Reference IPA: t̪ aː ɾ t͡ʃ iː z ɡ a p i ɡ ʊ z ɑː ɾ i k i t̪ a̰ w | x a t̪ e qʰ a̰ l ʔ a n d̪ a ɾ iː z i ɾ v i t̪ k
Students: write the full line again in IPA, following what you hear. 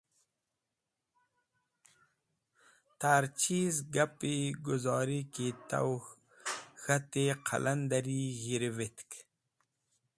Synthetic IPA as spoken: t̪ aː ɾ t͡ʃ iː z ɡ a p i ɡ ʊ z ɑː ɾ i k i t̪ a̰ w | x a t̪ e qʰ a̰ l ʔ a n d̪ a ɾ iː ɣ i ɾ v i t̪ k